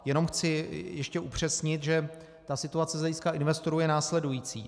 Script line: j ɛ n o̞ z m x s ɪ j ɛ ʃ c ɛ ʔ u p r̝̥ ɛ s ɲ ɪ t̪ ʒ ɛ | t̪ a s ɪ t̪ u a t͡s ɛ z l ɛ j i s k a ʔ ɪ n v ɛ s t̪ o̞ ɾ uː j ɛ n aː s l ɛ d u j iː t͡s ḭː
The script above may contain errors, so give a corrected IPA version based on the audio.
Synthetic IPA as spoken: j ɛ n o̞ m x t͡s ɪ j ɛ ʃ c ɛ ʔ u p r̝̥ ɛ s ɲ ɪ t̪ ʒ ɛ | t̪ a s ɪ t̪ u a t͡s ɛ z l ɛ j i s k a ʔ ɪ n v ɛ s t̪ o̞ ɾ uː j ɛ n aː s l ɛ d u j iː t͡s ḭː